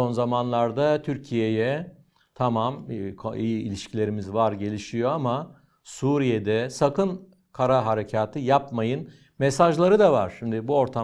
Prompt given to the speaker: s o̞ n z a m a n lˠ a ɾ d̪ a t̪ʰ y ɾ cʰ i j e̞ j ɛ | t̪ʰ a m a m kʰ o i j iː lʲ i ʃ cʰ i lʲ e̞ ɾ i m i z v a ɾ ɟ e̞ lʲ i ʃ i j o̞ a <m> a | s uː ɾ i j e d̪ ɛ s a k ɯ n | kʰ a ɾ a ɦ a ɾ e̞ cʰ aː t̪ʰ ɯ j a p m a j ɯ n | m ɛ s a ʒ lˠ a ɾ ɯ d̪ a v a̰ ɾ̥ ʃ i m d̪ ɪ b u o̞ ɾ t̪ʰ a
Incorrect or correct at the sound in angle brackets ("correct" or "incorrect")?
correct